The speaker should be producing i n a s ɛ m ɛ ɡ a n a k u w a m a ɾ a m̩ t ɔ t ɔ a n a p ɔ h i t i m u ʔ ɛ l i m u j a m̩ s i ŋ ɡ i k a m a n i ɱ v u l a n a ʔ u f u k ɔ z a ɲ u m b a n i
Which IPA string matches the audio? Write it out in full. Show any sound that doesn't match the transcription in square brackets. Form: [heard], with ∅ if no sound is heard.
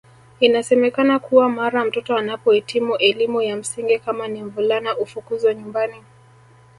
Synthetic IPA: i n a s ɛ m ɛ [k] a n a k u w a m a ɾ a m̩ t ɔ t ɔ a n a p ɔ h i t i m u ʔ ɛ l i m u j a m̩ s i ŋ ɡ i k a m a n i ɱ v u l a n a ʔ u f u k [u] z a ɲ u m b a n i